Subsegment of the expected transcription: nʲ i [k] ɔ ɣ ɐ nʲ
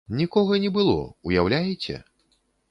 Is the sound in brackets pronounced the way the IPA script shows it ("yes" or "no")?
yes